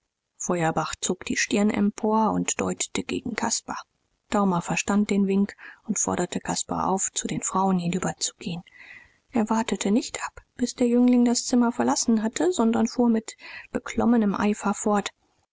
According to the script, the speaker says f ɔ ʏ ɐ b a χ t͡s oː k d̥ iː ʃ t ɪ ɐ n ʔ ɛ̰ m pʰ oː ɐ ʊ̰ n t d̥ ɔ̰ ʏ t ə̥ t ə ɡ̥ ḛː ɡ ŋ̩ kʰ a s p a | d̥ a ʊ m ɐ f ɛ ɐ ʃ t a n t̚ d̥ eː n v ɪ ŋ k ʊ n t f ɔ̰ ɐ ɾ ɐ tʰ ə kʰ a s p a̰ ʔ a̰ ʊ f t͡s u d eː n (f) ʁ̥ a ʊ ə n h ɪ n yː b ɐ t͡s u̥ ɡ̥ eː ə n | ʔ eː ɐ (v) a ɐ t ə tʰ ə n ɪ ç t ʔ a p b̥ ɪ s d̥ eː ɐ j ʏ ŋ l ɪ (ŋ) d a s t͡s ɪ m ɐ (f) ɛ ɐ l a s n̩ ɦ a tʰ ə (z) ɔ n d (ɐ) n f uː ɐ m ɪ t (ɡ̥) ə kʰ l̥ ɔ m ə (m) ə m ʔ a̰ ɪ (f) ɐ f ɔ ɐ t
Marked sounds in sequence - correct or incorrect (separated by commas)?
correct, correct, correct, correct, correct, correct, incorrect, incorrect, correct